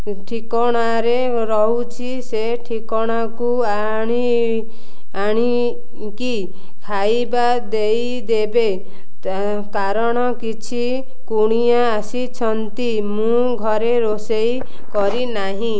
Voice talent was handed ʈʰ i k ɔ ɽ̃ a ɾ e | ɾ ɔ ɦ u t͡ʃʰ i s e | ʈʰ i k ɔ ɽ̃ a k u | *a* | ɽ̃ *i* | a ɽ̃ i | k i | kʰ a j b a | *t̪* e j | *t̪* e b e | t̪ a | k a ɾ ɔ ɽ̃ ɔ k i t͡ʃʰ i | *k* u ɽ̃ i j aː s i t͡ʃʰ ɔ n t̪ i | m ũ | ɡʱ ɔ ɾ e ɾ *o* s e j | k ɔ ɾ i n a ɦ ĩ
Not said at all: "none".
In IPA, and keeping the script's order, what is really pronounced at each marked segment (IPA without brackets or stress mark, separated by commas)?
a, i, d̪, d̪, k, o